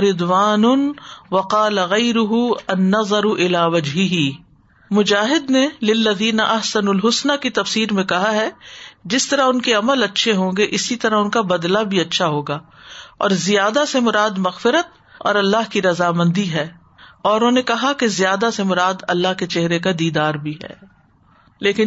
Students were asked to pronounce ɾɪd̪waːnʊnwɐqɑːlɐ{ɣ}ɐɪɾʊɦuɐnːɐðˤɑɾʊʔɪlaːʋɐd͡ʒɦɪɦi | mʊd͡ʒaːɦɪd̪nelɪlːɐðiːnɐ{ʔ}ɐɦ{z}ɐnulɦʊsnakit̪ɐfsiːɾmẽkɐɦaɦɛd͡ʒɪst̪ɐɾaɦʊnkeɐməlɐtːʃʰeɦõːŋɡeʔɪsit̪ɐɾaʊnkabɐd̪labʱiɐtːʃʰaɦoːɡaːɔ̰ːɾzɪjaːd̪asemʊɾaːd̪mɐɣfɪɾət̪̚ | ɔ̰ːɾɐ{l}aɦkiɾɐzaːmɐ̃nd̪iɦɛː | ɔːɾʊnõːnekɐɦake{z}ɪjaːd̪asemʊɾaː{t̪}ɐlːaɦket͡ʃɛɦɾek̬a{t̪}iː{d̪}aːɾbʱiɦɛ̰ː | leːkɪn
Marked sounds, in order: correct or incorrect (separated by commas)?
correct, correct, incorrect, incorrect, correct, incorrect, incorrect, correct